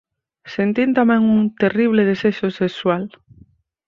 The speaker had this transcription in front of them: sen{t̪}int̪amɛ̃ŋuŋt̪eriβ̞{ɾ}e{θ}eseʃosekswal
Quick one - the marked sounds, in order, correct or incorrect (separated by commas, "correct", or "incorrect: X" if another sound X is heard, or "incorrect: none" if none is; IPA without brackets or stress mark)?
correct, incorrect: l, incorrect: ð